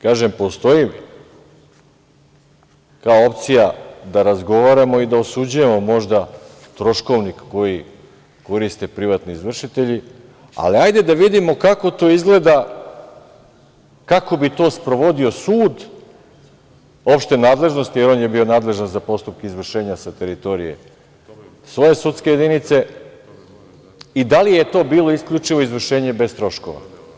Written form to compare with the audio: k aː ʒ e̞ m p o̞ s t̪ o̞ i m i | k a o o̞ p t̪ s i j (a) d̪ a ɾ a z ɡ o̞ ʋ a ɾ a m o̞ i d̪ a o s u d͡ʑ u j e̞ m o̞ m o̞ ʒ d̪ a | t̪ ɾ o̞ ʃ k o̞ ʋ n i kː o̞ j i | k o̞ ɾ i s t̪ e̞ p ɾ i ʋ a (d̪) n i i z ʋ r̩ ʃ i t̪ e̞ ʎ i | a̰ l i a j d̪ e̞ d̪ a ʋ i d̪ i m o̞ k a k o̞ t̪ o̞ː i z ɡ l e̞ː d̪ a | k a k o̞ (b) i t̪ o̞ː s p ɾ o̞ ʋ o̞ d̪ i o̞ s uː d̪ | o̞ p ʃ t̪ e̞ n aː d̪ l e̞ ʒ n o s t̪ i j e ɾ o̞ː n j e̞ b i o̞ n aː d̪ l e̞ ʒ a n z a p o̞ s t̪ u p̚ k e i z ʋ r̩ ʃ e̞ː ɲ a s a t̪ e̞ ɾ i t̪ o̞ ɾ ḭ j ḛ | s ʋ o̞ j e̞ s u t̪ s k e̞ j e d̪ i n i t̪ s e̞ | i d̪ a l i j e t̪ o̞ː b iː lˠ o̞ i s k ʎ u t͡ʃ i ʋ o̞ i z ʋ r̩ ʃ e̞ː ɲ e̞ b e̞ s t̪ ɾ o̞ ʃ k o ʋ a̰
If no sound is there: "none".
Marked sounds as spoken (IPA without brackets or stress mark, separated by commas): a, t̪, b